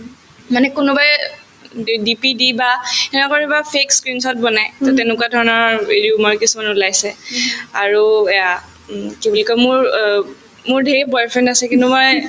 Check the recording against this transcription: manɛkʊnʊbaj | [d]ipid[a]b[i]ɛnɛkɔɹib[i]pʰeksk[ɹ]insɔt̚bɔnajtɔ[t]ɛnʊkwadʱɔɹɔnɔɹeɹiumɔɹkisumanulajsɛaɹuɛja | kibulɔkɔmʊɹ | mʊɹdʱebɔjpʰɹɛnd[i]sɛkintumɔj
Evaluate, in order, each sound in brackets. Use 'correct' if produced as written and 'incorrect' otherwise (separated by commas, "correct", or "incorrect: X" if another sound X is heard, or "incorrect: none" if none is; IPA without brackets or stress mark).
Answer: correct, incorrect: i, incorrect: a, incorrect: a, correct, correct, incorrect: a